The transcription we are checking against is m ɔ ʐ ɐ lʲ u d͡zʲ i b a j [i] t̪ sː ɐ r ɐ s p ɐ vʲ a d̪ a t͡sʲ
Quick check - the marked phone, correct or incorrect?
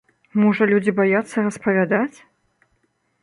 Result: incorrect